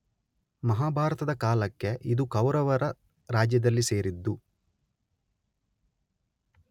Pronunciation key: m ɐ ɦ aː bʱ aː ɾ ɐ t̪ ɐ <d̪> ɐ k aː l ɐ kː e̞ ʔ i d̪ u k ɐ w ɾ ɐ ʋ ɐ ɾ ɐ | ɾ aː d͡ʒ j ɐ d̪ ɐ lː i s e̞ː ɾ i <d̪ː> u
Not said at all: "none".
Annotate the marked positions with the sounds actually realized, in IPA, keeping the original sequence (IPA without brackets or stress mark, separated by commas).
d̪, d̪ː